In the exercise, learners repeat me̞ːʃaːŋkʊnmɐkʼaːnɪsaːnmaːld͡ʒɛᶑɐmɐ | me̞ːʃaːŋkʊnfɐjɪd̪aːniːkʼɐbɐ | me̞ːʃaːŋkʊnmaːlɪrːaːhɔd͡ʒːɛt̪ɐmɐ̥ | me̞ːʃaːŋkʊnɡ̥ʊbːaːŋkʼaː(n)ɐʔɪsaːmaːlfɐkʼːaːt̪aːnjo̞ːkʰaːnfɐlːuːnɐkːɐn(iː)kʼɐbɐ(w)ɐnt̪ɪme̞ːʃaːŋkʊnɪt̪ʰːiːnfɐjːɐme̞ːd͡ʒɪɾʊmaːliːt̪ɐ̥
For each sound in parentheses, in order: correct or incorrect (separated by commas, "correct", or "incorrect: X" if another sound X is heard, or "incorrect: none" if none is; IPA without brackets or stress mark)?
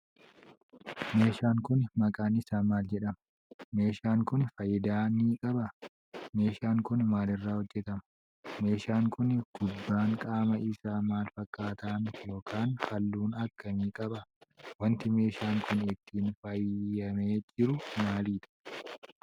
incorrect: m, correct, correct